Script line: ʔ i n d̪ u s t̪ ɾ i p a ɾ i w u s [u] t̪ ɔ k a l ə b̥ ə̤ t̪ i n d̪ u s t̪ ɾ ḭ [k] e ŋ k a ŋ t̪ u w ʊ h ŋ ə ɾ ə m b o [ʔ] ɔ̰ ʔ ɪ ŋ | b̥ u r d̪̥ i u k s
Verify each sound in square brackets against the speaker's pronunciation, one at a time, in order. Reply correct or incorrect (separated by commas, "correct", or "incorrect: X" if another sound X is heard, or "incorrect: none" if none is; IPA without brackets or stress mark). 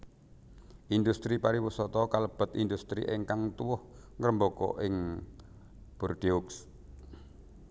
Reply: incorrect: ɔ, incorrect: ʔ, incorrect: k